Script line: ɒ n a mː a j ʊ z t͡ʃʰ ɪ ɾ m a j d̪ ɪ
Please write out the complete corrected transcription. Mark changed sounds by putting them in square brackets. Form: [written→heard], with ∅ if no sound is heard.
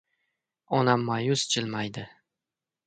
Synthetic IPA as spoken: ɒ n a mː a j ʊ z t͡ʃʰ ɪ [ɾ→l] m a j d̪ ɪ

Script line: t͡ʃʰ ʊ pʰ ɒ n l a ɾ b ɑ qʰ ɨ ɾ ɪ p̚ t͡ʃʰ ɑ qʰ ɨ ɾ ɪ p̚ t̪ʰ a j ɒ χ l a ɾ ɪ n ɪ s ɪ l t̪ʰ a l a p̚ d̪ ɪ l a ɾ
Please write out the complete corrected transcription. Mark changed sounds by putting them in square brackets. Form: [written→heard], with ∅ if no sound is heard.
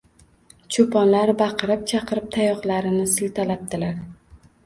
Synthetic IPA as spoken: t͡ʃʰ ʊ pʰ ɒ n l a ɾ b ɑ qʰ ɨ ɾ ɪ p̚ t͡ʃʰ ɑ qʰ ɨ ɾ ɪ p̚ t̪ʰ a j ɒ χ l a ɾ ɪ n ɪ s ɪ l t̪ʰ a l a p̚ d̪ ɪ l a ɾ

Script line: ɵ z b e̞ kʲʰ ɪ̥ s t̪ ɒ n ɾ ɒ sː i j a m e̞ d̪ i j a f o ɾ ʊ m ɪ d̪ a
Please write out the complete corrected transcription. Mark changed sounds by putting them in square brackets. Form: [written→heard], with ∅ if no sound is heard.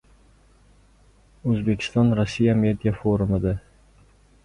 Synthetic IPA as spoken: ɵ z b e̞ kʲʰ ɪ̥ s t̪ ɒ n ɾ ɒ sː i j a m e̞ d̪ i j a f o ɾ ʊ m ɪ d̪ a

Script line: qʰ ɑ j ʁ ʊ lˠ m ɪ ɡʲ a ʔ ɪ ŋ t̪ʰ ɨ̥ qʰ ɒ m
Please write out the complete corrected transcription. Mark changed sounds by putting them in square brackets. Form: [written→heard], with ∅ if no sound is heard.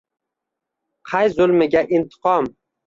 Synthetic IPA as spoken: qʰ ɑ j [ʁ→z] ʊ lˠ m ɪ ɡʲ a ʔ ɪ [ŋ→n] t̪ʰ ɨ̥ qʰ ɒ m

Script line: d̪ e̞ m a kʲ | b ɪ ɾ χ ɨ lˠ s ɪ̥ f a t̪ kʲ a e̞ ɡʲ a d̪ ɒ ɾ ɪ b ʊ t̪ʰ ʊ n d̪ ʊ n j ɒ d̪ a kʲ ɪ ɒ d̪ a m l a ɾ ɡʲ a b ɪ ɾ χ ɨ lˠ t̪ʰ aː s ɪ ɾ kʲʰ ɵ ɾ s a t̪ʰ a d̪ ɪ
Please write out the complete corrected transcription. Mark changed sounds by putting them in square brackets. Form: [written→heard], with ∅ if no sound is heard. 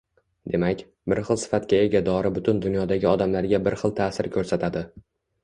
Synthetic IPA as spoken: d̪ e̞ m a kʲ | b ɪ ɾ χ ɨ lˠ s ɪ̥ f a t̪ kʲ a e̞ ɡʲ a d̪ ɒ ɾ ɪ b ʊ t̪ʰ ʊ n d̪ ʊ n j ɒ d̪ a [kʲ→ɡʲ] ɪ ɒ d̪ a m l a ɾ ɡʲ a b ɪ ɾ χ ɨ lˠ t̪ʰ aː s ɪ ɾ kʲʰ ɵ ɾ s a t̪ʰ a d̪ ɪ

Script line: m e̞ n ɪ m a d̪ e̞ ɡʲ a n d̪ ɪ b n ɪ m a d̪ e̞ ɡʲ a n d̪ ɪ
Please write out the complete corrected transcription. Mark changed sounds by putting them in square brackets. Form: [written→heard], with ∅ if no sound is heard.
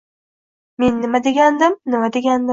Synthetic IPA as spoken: m e̞ [n→nː] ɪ m a d̪ e̞ ɡʲ a n d̪ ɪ [b→m] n ɪ m a d̪ e̞ ɡʲ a n d̪ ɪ

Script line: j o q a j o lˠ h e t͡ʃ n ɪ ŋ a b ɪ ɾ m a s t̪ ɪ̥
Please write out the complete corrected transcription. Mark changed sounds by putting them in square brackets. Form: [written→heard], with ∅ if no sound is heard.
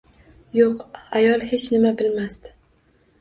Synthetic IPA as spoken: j o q a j [o→ɒ] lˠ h e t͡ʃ n ɪ [ŋ→m] a b ɪ [ɾ→l] m a s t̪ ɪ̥

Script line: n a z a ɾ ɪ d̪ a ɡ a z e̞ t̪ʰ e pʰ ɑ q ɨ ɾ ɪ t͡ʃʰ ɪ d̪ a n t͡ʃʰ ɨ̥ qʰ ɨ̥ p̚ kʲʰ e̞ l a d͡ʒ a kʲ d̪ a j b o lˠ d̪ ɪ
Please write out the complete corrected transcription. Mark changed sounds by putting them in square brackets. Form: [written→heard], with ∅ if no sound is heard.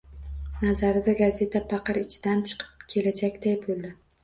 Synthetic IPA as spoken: n a z a ɾ ɪ d̪ a ɡ a z e̞ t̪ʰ [e→a] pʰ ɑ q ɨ ɾ ɪ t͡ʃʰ ɪ d̪ a n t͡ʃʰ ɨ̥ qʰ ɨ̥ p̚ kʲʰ e̞ l a d͡ʒ a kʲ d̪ a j b o lˠ d̪ ɪ

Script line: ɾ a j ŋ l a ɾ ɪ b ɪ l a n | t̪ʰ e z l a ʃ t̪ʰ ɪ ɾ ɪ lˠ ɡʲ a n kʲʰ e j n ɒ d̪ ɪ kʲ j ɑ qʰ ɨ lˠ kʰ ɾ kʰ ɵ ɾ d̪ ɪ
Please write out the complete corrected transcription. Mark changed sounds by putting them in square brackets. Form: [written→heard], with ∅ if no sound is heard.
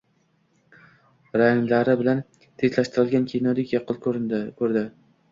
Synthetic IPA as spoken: ɾ a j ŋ l a ɾ ɪ b ɪ l a n | t̪ʰ e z l a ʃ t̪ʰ ɪ ɾ ɪ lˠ ɡʲ a n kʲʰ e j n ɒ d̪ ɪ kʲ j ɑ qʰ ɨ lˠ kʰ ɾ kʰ ɵ ɾ d̪ ɪ

